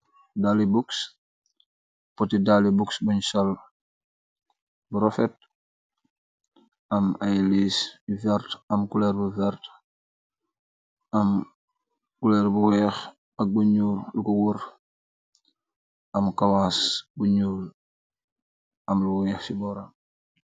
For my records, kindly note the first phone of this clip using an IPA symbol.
d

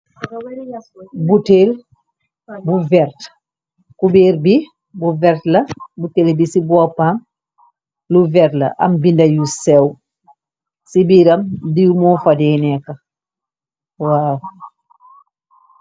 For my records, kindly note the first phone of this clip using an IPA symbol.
b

